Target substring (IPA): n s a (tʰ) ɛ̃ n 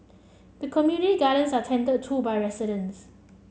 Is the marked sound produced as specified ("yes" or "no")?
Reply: yes